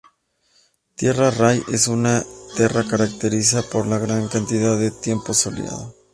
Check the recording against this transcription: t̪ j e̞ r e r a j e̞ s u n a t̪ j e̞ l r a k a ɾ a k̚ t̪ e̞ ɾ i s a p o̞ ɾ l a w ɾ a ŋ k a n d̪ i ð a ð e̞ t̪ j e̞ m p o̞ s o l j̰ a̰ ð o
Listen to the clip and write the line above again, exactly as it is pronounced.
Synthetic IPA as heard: t̪ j e̞ r a r a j e̞ s u n a t̪ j e̞ r a k a ɾ a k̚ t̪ e̞ ɾ i s a p o̞ ɾ l a ɣ ɾ a ŋ k a n t̪ i ð a ð e̞ t̪ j e̞ m p o̞ s o l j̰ a̰ ð o

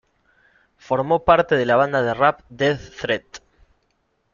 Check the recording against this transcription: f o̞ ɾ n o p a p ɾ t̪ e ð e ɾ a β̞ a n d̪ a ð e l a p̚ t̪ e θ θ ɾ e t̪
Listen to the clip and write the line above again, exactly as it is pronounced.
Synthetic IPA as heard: f o̞ ɾ m o p a ɾ t̪ e ð e l a β̞ a n d̪ a ð e r a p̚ d̪ e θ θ ɾ e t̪

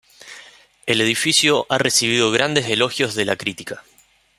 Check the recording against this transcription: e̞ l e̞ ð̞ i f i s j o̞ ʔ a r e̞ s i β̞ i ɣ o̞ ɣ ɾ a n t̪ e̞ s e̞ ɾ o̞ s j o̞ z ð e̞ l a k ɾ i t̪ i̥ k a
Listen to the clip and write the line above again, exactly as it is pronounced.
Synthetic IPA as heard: e̞ l e̞ ð̞ i f i s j o̞ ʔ a r e̞ s i β̞ i ð o̞ ɣ ɾ a n d̪ e̞ s e̞ l o̞ x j o̞ z ð e̞ l a k ɾ i t̪ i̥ k a

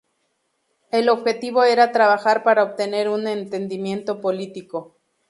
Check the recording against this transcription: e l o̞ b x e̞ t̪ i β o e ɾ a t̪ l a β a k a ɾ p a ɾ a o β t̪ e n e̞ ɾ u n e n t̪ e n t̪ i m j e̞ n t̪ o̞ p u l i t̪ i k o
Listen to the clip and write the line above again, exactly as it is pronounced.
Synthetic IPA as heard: e l o̞ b x e̞ t̪ i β o e ɾ a t̪ ɾ a β a x a ɾ p a ɾ a o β t̪ e n e̞ ɾ u n e n t̪ e n d̪ i m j e̞ n t̪ o̞ p o l i t̪ i k o

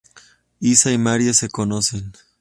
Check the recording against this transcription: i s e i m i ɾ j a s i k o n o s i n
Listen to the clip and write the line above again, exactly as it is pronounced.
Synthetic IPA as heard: i s a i m a ɾ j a s e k o n o s e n

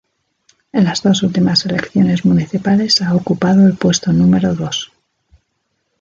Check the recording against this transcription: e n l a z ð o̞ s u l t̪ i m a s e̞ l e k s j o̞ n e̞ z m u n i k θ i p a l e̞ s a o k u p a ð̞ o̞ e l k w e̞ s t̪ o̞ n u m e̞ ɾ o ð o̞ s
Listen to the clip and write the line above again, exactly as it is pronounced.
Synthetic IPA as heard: e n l a z ð o̞ s u l t̪ i m a s e̞ l e k θ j o̞ n e̞ z m u n i θ i p a l e̞ s a o k u p a ð̞ o̞ e l p w e̞ s t̪ o̞ n u m e̞ ɾ o ð o̞ s

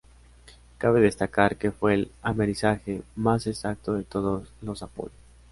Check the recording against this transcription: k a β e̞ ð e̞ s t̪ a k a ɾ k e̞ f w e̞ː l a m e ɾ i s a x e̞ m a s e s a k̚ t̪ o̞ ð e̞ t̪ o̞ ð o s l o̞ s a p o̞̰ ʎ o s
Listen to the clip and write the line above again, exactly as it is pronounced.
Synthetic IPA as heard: k a β e̞ ð e̞ s t̪ a k a ɾ k e̞ f w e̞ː l a m e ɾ i s a x e̞ m a s e s a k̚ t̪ o̞ ð e̞ t̪ o̞ ð o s l o̞ s a p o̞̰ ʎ o s

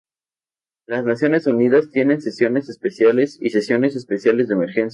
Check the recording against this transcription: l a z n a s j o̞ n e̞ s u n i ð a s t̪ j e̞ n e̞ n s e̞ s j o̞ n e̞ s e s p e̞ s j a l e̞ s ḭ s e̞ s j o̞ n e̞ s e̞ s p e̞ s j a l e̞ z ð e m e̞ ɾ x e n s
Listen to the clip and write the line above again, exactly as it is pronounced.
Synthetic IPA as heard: l a z n a s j o̞ n e̞ s u n i ð a s t̪ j e̞ n e̞ n s e̞ s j o̞ n e̞ s e s p e̞ s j a l e̞ s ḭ s e̞ s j o̞ n e̞ s e̞ s p e̞ s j a l e̞ z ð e m e̞ ɾ x e n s

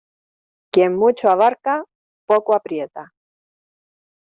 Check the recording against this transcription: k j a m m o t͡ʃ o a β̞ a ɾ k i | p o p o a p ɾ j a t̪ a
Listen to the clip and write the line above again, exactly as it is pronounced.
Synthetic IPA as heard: k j e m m u t͡ʃ o a β̞ a ɾ k a | p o k o a p ɾ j e t̪ a

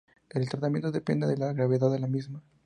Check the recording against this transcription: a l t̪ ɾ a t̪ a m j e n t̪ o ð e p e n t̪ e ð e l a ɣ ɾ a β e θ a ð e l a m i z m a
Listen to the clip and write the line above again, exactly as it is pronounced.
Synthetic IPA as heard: e l t̪ ɾ a t̪ a m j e n t̪ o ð e p e n d̪ e ð e l a ɣ ɾ a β e ð a ð e l a m i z m a

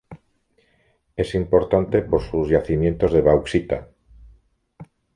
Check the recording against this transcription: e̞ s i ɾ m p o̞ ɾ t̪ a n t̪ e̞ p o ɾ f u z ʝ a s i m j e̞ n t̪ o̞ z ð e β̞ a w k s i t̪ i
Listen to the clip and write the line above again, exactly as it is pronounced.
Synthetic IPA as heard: e̞ s i m p o̞ ɾ t̪ a n t̪ e̞ p o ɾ s u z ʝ a θ i m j e̞ n t̪ o̞ z ð e β̞ a w k s i t̪ a

